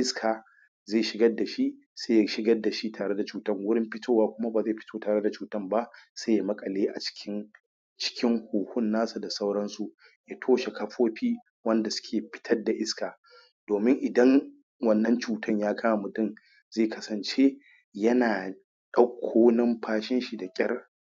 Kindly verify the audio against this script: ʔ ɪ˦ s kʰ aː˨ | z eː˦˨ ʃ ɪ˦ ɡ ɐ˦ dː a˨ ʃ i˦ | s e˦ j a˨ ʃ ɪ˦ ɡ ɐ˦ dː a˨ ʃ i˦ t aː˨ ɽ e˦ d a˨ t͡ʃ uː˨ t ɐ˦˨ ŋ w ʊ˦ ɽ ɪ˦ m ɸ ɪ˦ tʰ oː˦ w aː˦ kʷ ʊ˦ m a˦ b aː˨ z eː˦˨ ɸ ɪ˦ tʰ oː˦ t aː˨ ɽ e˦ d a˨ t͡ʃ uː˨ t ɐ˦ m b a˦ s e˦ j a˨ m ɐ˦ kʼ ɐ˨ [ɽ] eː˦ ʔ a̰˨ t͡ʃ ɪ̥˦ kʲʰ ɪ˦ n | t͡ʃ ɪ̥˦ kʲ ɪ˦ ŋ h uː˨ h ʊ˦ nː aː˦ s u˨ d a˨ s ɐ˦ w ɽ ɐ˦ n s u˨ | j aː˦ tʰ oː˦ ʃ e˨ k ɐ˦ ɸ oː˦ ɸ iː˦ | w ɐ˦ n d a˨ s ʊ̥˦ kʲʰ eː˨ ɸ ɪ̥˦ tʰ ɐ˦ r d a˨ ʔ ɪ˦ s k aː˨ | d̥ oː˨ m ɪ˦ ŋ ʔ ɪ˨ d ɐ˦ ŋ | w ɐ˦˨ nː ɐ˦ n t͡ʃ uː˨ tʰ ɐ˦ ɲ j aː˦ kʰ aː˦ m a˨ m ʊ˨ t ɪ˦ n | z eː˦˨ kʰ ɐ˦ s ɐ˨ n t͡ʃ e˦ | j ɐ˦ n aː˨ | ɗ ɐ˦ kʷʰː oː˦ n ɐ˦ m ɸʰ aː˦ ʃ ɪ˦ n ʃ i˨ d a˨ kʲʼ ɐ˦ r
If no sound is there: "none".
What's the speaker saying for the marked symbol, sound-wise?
l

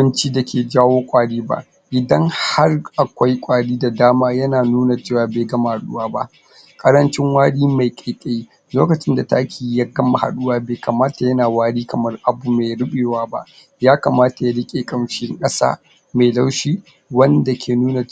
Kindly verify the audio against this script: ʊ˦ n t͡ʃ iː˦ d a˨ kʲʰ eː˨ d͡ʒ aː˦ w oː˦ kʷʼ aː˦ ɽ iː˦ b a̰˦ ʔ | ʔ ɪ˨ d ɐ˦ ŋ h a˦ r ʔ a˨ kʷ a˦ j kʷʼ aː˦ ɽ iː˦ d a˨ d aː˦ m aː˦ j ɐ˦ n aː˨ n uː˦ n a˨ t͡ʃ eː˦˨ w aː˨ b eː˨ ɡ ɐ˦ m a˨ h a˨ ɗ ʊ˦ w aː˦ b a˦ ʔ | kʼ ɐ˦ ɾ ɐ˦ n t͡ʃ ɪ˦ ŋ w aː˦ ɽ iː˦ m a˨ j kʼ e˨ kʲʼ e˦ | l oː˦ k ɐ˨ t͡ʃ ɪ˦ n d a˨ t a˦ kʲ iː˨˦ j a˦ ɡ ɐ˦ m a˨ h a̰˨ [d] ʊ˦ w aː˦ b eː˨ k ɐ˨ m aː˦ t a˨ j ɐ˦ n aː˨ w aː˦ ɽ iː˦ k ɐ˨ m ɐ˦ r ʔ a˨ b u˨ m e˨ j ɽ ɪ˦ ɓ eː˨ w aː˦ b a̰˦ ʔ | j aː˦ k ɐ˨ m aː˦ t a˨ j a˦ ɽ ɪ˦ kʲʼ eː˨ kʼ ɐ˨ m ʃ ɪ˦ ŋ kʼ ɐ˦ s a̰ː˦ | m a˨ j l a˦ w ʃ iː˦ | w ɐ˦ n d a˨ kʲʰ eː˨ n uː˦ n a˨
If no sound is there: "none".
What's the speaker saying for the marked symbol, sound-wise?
ɗ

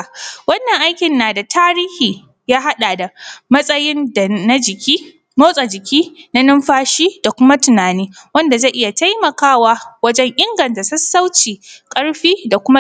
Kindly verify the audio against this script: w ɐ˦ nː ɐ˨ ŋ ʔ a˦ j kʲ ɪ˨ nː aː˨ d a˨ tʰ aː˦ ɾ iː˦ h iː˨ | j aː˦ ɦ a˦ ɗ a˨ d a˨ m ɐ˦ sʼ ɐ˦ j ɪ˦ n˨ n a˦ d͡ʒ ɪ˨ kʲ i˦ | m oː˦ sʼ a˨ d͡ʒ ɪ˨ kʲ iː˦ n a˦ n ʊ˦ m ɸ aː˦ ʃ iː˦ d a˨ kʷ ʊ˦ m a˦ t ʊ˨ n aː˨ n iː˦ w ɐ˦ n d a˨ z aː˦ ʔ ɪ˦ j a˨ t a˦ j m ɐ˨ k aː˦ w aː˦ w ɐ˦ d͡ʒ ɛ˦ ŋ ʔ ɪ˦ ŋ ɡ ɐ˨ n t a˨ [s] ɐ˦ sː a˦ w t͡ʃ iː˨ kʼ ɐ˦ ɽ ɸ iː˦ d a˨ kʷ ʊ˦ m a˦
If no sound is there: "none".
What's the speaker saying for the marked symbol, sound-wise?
s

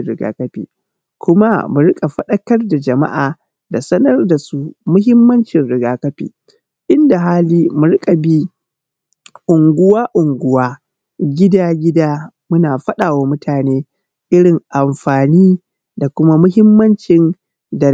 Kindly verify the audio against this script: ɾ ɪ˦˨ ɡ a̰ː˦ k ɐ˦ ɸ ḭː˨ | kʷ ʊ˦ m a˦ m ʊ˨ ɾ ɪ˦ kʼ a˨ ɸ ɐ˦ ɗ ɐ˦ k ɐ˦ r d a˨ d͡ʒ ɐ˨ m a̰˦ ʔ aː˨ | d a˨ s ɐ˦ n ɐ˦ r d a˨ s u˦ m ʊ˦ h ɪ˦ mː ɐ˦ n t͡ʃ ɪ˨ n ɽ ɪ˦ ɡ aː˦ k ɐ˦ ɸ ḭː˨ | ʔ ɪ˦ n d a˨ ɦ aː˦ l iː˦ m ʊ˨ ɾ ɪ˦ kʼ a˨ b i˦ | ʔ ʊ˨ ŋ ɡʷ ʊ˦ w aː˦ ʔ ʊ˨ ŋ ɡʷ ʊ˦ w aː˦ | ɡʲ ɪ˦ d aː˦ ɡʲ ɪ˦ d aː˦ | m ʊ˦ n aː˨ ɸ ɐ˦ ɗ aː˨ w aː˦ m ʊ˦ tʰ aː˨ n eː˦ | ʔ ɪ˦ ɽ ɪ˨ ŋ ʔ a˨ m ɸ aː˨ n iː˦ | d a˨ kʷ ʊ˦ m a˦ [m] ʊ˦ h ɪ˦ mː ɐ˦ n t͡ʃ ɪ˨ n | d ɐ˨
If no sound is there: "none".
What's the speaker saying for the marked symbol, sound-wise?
m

